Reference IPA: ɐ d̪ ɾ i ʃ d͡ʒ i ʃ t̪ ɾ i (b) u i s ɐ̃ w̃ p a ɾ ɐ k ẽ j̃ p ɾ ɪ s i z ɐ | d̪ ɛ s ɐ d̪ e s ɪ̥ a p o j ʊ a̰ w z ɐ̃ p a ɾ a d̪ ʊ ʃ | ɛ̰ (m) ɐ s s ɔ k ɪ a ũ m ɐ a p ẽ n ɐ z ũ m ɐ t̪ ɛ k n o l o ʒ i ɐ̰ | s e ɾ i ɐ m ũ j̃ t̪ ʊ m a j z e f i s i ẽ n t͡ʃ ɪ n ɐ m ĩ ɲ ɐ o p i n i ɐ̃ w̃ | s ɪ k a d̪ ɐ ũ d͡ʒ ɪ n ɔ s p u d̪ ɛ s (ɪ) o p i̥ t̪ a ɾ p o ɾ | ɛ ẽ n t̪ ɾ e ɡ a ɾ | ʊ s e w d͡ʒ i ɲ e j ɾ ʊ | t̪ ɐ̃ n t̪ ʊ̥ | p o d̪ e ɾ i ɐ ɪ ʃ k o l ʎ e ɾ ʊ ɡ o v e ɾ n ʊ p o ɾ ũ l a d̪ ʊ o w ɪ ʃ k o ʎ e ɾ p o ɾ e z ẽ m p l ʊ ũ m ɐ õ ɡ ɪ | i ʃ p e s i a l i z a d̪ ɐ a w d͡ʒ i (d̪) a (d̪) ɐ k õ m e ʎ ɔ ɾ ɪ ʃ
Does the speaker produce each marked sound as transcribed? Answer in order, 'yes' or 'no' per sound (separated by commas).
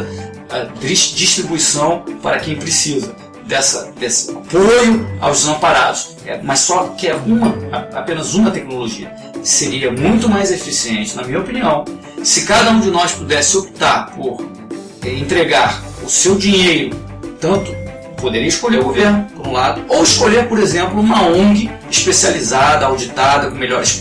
yes, yes, yes, no, yes